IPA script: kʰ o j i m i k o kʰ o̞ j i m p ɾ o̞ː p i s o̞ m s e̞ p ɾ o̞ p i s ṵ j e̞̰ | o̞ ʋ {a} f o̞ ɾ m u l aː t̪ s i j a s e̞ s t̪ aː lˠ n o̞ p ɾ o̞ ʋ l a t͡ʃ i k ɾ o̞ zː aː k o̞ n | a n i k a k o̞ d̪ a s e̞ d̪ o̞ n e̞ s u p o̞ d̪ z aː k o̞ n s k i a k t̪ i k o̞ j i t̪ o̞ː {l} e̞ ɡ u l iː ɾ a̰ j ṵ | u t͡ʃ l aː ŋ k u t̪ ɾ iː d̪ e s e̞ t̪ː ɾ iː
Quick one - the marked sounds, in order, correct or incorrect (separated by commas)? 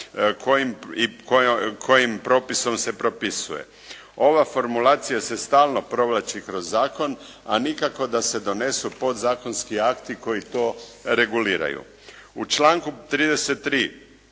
correct, incorrect